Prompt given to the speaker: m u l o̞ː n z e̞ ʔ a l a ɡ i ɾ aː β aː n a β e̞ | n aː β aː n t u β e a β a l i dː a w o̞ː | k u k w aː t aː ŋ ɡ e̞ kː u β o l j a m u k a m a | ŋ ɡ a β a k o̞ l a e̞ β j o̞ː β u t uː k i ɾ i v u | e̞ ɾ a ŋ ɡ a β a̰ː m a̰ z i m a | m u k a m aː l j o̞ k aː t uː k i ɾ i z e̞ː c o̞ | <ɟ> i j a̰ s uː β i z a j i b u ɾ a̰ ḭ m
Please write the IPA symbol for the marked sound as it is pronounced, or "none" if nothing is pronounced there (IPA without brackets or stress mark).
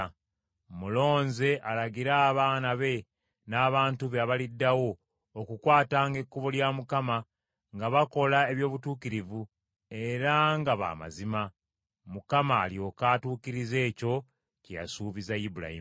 c